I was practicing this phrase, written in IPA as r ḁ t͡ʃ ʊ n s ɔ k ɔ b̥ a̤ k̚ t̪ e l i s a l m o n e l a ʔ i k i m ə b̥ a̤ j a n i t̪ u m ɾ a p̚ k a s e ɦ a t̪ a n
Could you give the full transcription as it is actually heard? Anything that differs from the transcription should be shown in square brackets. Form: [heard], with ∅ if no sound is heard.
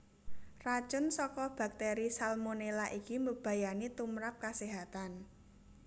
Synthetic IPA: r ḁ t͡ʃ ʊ n s ɔ k ɔ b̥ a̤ k̚ t̪ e [ɾ] i s a l m o n e l a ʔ i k i m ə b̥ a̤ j a n i t̪ u m ɾ a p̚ k a s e ɦ a t̪ a n